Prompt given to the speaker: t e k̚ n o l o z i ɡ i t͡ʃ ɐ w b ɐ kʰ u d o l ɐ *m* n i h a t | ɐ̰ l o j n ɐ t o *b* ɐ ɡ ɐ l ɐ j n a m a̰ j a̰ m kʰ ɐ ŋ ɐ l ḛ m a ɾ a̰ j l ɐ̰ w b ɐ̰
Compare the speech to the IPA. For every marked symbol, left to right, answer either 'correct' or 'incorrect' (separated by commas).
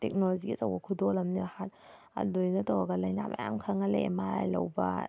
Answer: correct, incorrect